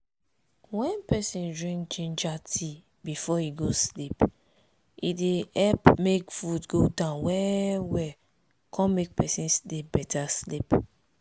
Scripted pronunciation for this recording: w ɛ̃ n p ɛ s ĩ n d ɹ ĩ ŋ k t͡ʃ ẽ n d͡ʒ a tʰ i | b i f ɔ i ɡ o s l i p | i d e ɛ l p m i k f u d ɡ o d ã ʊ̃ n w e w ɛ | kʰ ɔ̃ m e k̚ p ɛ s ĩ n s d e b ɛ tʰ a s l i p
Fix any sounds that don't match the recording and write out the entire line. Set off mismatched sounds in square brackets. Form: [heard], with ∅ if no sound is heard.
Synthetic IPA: w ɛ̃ n p ɛ s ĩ n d ɹ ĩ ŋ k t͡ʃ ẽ n d͡ʒ a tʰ i | b i f ɔ i ɡ o s l i p | i d e ɛ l p m [e] k f u d ɡ o d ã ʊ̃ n w [ɛ] w ɛ | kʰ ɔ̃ m e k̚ p ɛ s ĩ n s d e b ɛ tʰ a s l i p